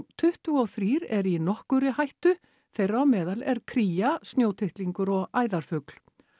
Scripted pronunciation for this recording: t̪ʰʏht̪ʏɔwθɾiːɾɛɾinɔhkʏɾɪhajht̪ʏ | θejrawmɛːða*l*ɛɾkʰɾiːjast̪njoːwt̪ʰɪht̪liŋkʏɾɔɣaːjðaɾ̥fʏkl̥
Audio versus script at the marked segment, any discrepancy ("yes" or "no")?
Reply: no